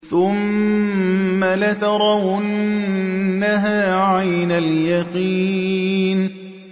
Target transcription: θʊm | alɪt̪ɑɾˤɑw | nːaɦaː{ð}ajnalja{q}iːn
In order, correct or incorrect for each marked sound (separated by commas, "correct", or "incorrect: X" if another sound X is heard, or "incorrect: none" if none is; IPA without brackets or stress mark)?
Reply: incorrect: ʕ, correct